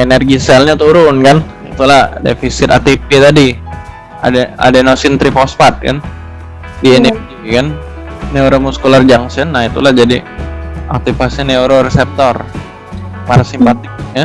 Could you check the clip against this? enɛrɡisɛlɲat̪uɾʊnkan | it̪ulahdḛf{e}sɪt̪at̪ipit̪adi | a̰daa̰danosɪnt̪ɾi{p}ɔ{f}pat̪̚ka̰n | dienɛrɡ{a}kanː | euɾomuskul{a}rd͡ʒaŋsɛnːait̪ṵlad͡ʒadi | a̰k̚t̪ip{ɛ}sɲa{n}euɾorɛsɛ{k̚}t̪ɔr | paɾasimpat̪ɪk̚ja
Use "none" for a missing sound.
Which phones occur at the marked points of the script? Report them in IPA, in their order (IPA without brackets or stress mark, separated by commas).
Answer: i, p, s, i, a, a, n, p̚